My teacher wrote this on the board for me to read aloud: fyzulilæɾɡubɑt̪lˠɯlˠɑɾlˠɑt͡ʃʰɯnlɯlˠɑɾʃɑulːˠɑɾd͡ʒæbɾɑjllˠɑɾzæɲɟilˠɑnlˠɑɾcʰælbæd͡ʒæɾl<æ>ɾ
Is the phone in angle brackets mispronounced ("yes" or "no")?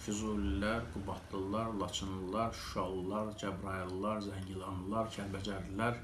no